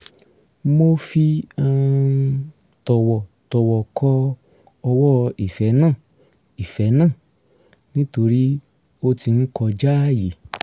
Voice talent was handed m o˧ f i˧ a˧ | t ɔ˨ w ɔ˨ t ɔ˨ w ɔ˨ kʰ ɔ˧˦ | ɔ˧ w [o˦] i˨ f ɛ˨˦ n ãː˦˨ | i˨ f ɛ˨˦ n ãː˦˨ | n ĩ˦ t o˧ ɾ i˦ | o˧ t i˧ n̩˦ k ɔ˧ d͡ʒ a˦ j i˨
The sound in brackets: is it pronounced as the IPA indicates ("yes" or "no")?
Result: no